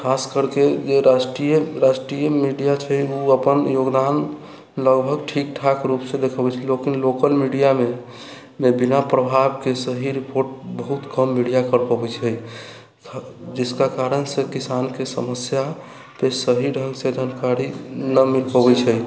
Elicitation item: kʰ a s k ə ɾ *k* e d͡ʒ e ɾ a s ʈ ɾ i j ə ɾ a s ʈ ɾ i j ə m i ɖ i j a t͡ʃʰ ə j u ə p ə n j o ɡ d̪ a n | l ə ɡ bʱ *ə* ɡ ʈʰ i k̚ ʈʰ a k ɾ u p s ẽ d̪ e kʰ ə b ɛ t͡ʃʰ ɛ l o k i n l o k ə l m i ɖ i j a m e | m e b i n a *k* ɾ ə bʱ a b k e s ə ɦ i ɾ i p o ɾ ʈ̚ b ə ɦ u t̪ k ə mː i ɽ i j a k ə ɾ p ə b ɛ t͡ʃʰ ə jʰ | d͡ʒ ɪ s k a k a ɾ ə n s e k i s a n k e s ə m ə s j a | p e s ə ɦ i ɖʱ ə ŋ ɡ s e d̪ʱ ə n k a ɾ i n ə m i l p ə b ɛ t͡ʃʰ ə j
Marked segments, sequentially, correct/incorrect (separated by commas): correct, correct, incorrect